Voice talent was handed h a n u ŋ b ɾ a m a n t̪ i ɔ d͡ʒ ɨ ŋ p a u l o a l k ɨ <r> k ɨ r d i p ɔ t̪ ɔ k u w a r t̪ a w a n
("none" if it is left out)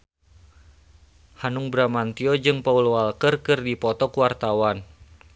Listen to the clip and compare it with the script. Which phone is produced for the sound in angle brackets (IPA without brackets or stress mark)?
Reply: r